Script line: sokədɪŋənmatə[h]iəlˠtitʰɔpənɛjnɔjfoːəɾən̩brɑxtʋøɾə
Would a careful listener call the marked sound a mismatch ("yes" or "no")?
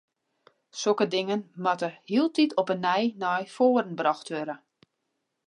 no